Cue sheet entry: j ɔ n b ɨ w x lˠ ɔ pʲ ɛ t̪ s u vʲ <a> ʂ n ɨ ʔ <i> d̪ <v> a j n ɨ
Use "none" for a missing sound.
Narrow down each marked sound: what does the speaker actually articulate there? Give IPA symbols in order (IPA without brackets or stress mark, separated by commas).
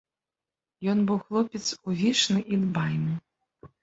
i, i, b